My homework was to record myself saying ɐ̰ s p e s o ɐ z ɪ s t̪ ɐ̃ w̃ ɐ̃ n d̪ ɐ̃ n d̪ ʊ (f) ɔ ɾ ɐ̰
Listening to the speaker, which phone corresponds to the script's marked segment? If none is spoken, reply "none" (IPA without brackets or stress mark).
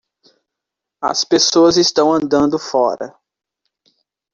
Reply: f